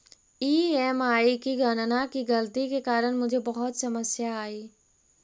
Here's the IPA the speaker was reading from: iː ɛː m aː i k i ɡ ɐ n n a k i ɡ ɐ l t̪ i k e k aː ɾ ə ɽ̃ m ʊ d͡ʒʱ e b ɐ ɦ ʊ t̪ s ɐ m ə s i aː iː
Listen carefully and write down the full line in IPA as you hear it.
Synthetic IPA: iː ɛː m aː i k i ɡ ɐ n n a k i ɡ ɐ l t̪ i k e k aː ɾ ə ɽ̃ m ʊ d͡ʒʱ e b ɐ ɦ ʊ t̪ s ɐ m ə s j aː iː